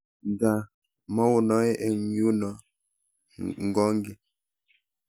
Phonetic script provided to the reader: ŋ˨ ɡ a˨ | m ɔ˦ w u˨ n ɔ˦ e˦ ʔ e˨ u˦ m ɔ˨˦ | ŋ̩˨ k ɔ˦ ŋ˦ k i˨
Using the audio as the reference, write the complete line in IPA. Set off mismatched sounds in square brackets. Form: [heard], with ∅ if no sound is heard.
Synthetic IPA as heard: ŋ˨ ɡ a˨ | m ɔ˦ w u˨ n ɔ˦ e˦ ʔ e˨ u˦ [n] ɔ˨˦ | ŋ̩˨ [ɡ] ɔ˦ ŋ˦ [ɡ] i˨